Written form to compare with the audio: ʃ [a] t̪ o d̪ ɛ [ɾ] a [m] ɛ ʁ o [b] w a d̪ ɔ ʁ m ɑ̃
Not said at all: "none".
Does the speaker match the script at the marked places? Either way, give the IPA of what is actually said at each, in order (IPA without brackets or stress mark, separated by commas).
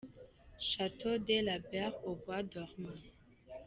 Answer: a, l, b, b